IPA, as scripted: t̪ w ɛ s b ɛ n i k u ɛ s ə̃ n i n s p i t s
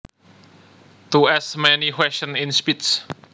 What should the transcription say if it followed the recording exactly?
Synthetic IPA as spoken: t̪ u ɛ s m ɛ n i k w ɛ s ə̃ n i n s p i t s